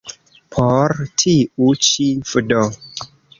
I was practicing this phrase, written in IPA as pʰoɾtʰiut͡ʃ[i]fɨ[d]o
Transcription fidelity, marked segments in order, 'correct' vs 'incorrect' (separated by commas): correct, correct